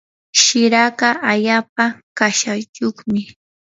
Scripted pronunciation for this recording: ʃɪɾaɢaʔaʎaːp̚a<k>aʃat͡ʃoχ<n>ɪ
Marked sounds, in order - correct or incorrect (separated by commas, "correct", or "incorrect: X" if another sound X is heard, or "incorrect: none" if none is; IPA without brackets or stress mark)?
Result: correct, incorrect: m